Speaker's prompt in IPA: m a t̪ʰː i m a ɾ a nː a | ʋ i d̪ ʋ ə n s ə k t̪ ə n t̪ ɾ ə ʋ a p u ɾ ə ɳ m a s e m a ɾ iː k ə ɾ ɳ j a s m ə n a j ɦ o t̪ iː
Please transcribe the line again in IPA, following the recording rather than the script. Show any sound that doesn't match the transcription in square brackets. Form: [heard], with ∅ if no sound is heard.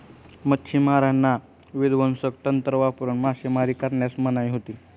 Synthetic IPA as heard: m [ə] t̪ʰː i m a ɾ a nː a | ʋ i d̪ ʋ ə n s ə k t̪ ə n t̪ ɾ ə ʋ a p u ɾ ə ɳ m a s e m a ɾ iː k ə ɾ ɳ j a s m ə n a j ɦ o t̪ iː